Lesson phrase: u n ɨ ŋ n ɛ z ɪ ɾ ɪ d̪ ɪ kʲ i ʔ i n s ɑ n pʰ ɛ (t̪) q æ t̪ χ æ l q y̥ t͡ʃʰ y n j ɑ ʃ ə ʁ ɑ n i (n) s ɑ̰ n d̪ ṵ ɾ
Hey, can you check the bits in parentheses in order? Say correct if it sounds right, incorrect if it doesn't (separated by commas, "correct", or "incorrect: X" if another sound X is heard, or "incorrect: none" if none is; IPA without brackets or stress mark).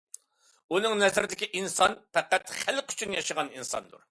incorrect: none, correct